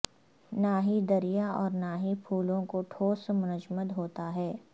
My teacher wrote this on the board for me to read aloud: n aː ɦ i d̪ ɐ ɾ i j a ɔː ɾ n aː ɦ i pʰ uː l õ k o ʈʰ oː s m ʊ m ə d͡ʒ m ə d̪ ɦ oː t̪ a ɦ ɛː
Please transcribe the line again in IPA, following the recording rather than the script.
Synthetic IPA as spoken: n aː ɦ i d̪ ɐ ɾ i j a ɔː ɾ n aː ɦ i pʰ uː l õ k o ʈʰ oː s m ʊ n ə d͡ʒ m ə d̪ ɦ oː t̪ a ɦ ɛː